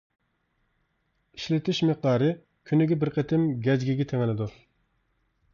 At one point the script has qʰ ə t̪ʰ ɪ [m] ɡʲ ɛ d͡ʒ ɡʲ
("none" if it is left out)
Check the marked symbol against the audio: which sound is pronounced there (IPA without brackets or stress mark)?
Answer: m